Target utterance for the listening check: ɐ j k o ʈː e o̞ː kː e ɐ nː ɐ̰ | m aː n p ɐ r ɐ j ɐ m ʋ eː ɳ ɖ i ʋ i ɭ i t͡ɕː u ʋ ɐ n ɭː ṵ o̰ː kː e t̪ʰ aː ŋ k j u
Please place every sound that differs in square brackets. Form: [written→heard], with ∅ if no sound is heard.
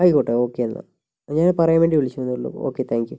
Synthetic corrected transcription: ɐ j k o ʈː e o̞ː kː e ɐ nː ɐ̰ | [m→ɲ] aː n p ɐ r ɐ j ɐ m ʋ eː ɳ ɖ i ʋ i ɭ i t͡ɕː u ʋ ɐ [n→nː] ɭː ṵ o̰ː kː e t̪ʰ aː ŋ k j u